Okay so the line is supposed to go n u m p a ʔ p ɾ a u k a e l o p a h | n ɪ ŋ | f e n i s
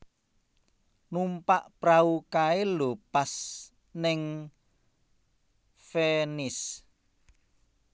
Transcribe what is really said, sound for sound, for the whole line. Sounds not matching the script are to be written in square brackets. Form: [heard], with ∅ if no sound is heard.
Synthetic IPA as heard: n u m p a ʔ p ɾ a u k a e l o p a [s] | n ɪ ŋ | f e n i s